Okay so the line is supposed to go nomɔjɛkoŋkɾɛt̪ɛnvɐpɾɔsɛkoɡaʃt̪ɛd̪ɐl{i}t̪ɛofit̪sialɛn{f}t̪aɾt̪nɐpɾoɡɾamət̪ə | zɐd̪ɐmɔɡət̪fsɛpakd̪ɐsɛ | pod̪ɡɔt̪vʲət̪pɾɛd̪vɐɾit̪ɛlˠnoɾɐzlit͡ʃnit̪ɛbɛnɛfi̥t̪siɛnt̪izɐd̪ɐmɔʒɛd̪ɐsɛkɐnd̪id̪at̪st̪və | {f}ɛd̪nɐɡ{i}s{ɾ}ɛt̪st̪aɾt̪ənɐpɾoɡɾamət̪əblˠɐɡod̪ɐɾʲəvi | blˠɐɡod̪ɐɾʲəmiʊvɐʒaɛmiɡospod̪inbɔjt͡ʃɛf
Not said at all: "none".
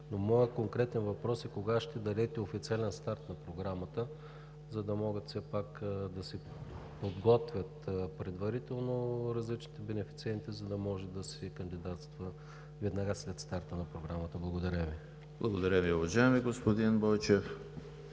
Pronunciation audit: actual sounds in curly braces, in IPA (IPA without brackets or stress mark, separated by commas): ɛ, s, v, a, l